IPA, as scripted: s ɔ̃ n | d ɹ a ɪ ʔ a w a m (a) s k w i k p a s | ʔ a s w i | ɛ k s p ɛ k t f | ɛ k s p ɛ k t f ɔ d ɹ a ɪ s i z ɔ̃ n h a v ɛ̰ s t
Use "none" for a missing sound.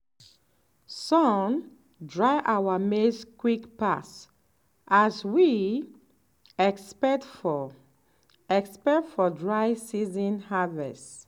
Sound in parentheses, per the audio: e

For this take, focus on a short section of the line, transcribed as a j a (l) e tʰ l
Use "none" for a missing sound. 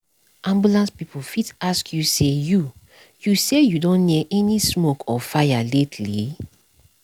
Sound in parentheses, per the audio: l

